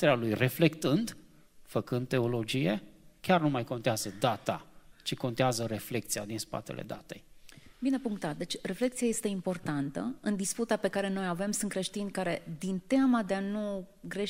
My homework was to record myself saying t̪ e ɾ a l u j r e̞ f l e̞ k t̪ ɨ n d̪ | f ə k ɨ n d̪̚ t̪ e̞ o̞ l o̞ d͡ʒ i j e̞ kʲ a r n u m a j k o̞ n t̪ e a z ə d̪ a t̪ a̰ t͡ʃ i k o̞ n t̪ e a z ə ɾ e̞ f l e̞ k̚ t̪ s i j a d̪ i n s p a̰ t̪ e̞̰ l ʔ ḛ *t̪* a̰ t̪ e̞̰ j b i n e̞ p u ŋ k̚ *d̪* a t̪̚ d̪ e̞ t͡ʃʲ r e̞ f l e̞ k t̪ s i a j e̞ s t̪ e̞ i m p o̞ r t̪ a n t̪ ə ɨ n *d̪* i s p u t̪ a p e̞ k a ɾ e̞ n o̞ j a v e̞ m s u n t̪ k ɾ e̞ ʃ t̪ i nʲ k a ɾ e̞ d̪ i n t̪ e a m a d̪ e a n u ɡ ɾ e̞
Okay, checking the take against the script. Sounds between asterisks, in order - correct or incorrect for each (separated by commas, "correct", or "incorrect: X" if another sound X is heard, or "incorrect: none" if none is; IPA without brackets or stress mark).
incorrect: d̪, incorrect: t̪, correct